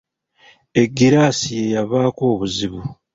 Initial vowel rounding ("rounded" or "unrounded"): unrounded